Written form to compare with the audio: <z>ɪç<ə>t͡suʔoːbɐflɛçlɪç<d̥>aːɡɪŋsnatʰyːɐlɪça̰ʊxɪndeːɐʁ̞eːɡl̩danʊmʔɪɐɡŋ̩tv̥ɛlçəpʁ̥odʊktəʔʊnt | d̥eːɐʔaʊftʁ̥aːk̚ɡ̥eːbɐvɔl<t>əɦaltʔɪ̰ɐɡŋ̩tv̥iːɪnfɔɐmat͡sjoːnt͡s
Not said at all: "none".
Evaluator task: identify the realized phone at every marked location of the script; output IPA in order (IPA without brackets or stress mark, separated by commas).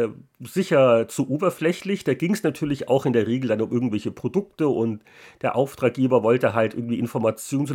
z, ɐ, d̥, t